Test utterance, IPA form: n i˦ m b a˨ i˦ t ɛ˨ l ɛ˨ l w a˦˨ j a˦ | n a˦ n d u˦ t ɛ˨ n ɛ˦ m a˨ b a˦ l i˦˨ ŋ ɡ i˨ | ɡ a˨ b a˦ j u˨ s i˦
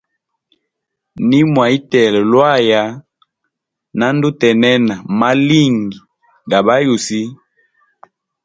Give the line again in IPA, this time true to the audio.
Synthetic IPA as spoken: n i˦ m w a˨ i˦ t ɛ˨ l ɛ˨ l w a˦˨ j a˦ | n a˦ n d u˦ t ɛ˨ n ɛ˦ n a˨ m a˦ l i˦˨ ŋ ɡ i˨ | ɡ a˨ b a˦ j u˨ s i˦